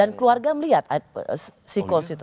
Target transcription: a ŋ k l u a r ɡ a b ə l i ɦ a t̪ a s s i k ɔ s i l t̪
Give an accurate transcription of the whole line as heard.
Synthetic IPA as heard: a n k l u a r ɡ a m ə l i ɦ a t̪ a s s i k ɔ s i t̪